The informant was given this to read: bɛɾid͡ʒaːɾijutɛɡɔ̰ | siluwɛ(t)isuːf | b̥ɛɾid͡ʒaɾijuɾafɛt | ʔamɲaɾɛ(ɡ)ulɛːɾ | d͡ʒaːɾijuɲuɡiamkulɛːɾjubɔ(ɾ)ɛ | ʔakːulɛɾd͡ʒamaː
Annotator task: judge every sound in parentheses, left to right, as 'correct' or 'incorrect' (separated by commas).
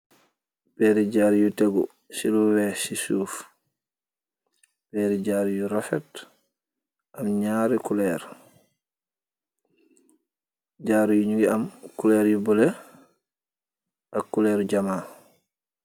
incorrect, incorrect, incorrect